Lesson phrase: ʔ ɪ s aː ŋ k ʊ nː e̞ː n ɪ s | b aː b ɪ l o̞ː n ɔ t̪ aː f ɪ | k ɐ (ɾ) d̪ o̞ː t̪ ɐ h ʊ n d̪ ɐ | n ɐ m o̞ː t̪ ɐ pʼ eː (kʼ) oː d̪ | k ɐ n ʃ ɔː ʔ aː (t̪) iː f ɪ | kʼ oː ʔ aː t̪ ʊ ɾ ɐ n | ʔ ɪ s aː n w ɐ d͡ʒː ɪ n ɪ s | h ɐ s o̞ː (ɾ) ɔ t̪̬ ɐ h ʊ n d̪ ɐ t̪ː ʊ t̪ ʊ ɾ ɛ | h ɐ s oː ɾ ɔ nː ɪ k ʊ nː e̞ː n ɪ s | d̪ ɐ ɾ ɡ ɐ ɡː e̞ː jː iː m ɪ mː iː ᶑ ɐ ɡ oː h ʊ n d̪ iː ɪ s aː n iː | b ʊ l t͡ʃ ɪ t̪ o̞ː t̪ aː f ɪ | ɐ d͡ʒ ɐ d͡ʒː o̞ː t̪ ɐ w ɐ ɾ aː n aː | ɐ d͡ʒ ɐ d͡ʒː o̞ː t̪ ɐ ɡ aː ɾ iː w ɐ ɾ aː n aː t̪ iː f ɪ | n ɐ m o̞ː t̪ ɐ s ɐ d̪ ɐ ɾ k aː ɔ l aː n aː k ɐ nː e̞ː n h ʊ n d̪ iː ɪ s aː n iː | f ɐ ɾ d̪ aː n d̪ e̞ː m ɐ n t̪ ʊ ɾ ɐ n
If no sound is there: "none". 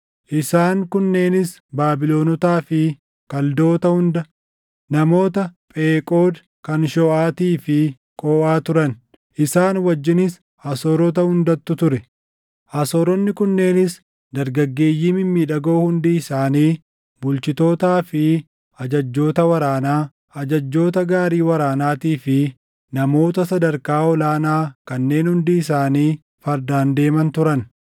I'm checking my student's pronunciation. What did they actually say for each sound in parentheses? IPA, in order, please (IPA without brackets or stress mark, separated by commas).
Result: l, kʼ, t̪, ɾ